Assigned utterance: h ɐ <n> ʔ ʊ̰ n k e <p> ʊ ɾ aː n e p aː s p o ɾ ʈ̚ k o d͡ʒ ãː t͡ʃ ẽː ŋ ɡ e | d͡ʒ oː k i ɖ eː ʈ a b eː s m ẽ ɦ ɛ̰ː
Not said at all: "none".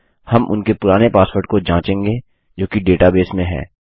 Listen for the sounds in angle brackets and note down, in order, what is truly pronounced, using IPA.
m, p

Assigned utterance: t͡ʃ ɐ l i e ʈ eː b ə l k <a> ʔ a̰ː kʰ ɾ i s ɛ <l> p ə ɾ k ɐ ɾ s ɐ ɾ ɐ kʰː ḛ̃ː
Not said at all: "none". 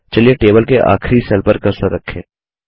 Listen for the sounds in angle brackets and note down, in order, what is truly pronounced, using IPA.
e, l

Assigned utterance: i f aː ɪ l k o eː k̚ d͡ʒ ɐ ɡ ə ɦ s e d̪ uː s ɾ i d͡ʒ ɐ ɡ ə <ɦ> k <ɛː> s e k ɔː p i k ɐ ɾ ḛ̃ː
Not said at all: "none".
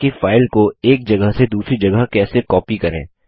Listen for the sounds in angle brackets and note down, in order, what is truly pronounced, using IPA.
ɦ, ɛː

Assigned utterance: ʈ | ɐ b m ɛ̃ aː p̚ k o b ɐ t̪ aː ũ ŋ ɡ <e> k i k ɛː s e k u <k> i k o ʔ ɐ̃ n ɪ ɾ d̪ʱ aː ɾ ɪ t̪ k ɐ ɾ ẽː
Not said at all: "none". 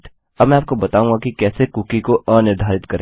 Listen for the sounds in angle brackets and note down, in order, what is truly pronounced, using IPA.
a, k

